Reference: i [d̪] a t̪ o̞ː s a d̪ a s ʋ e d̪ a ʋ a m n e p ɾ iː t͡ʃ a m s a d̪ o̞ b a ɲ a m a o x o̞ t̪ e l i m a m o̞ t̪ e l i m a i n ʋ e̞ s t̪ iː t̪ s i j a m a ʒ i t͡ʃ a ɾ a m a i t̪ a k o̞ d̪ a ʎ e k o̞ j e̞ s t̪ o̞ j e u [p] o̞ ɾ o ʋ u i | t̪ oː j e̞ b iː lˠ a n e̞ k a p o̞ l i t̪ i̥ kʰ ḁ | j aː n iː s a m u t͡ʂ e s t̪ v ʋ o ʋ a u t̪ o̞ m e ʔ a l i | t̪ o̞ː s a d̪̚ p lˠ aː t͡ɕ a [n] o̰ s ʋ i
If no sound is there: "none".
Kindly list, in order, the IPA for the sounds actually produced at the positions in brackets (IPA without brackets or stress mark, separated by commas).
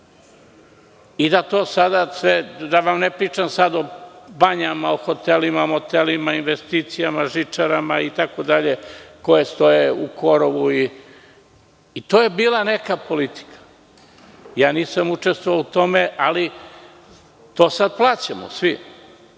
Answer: d̪, k, m